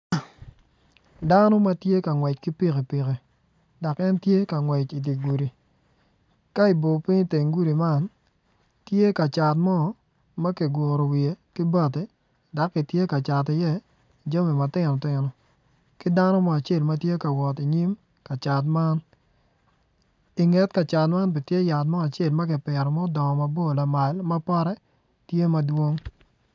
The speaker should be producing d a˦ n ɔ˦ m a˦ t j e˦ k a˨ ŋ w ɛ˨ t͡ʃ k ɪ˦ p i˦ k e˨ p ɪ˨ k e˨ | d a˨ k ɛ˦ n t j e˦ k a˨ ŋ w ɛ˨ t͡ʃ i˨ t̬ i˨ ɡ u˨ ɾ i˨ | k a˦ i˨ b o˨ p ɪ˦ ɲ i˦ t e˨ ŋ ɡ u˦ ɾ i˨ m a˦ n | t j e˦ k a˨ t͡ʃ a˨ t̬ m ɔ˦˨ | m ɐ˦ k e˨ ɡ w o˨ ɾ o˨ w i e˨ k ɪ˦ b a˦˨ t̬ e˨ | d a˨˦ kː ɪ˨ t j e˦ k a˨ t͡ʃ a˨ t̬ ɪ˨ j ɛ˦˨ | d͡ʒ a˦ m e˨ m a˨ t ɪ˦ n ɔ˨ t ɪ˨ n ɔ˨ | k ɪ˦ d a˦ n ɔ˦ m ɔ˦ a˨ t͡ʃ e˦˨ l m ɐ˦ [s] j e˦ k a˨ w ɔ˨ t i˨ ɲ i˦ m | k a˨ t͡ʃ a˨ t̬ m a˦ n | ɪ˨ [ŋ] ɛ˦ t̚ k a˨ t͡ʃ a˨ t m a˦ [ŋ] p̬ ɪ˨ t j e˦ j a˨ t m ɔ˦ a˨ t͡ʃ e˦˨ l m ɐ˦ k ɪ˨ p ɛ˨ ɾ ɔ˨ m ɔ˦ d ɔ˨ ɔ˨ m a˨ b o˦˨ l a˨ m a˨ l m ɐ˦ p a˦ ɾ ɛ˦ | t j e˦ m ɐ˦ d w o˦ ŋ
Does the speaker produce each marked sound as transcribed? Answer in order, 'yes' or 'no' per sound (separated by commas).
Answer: no, yes, no